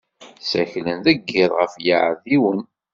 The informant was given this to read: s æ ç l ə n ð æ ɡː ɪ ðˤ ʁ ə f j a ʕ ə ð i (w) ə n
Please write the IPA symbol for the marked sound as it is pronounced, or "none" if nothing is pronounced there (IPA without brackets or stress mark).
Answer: w